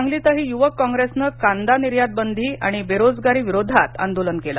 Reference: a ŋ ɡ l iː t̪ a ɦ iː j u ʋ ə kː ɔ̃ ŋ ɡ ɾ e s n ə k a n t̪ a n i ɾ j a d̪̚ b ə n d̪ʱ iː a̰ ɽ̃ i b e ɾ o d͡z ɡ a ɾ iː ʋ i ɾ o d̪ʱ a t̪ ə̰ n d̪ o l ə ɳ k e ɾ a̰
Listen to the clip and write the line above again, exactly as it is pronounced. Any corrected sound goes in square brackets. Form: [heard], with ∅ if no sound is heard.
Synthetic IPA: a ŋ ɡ l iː t̪ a ɦ iː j u ʋ ə kː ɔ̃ ŋ ɡ ɾ e s n ə k a n [d̪] a n i ɾ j a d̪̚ b ə n d̪ʱ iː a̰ ɽ̃ i b e ɾ o d͡z ɡ a ɾ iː ʋ i ɾ o d̪ʱ a t̪ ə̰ n d̪ o l ə [n] k e [l] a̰

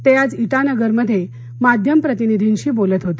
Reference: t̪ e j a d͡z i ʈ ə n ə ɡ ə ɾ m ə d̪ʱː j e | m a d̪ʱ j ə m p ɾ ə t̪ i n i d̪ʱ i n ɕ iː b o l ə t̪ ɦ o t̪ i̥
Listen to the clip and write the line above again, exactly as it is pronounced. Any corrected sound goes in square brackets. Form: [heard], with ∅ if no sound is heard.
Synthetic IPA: t̪ e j a d͡z i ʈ [a] n ə ɡ ə ɾ m ə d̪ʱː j e | m a d̪ʱ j ə m p ɾ ə t̪ i n i d̪ʱ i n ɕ iː b o l ə t̪ ɦ o t̪ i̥

